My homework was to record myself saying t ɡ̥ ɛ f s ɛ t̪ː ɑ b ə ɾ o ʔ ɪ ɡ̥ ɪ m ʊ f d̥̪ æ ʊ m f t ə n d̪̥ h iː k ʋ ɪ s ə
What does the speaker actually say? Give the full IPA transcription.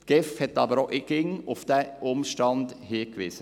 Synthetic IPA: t ɡ̥ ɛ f h ɛ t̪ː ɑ b ə ɾ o ʔ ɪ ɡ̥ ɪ ŋ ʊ f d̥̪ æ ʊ m ʃ t ɑ n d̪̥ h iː k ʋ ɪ s ə

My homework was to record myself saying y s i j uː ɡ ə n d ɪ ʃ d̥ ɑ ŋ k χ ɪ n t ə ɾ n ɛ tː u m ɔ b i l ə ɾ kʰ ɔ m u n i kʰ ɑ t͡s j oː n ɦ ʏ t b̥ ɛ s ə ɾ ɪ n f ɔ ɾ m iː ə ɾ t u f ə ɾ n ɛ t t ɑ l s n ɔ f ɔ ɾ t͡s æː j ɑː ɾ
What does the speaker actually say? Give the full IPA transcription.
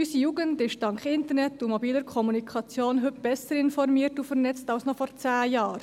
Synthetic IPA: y s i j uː ɡ ə n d ɪ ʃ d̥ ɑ ŋ k χ ɪ n t ə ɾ n ɛ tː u m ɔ b iː l ə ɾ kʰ ɔ m u n i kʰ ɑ t͡s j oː n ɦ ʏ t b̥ ɛ s ə ɾ ɪ n f ɔ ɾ m iː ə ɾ t u f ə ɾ n ɛ t͡s t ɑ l s n ɔ f ɔ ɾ t͡s æː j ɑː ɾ

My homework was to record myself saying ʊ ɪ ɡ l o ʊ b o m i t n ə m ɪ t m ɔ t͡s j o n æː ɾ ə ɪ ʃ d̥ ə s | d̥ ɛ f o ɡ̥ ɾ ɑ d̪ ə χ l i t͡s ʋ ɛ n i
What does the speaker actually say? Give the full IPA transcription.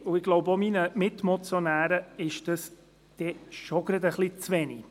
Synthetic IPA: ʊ ɪ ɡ l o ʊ b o m i n ə m ɪ t m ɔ t͡s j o n æː ɾ ə ɪ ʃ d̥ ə s | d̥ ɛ ʃ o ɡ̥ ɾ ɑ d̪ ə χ l i t͡s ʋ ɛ n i

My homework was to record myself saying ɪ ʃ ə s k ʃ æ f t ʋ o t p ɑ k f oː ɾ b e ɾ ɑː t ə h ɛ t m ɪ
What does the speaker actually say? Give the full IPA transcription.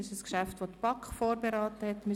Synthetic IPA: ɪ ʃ ə s k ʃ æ f t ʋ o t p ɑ k f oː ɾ b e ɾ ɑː t ə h ɛ t m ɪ

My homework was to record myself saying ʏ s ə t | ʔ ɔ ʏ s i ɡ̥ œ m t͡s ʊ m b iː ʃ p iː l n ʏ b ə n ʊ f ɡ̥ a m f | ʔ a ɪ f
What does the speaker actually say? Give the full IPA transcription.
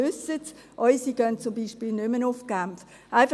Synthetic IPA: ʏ s ə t | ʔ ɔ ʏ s i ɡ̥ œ n t͡s ʊ m b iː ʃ p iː l n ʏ m ə n ʊ f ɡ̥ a m f | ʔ a ɪ f

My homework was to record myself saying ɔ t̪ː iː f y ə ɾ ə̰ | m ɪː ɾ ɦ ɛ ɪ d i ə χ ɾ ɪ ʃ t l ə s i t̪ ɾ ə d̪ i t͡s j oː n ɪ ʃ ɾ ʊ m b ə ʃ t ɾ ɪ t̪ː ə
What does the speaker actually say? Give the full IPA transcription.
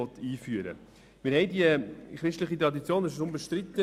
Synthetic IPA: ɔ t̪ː iː f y ə ɾ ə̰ | m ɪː ɾ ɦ ɛ ɪ d i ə χ ɾ ɪ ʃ t l ə χ i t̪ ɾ ɑ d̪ i t͡s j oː n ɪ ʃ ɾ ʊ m b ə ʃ t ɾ ɪ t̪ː ə

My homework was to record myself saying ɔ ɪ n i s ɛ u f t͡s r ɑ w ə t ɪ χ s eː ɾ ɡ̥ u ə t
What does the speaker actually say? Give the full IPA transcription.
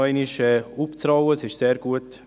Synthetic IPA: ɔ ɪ n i ʃ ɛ u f t͡s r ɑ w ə s ɪ ʃ s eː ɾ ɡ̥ u ə t

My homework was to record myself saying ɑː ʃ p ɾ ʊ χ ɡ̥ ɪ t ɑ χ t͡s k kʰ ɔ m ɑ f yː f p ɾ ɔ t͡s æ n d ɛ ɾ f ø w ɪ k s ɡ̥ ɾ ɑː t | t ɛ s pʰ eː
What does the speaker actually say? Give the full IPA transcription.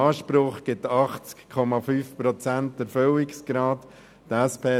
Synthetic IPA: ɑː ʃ p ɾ ʊ χ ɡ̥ ɪ t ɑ χ t͡s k kʰ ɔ m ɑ f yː f p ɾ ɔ t͡s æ n t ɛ ɾ f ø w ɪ k s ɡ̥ ɾ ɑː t | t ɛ s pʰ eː

